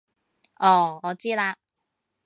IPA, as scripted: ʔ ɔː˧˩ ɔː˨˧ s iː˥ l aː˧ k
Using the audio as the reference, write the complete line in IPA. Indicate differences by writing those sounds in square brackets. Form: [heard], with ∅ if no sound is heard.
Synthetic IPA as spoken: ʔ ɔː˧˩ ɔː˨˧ [t͡s] iː˥ l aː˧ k